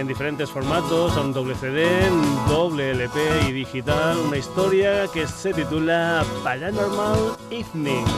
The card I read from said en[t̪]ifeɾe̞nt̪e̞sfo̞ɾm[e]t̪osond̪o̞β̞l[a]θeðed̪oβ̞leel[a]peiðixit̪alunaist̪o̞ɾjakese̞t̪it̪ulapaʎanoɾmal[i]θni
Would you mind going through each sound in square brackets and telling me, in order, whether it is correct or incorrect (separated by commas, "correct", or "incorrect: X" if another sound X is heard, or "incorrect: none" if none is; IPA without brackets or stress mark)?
incorrect: d̪, incorrect: a, incorrect: e, incorrect: e, correct